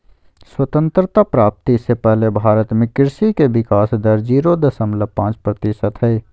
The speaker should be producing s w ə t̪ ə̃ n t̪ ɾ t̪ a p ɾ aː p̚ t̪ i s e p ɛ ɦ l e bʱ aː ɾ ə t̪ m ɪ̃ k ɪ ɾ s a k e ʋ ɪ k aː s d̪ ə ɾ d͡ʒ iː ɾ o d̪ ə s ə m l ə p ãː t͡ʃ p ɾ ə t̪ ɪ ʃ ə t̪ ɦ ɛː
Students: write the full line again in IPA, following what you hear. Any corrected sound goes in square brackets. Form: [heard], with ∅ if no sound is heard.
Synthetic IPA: s w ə t̪ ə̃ n t̪ ɾ t̪ a p ɾ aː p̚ t̪ i s e p ɛ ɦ l e bʱ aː ɾ ə t̪ m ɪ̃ k ɪ ɾ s [i] k e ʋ ɪ k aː s d̪ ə ɾ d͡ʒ iː ɾ o d̪ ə s ə m l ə p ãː t͡ʃ p ɾ ə t̪ ɪ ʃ ə t̪ ɦ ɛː